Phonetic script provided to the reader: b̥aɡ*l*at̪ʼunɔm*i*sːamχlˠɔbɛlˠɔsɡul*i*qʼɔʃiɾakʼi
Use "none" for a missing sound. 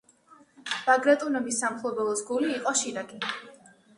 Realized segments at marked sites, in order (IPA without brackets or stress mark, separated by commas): ɾ, i, iː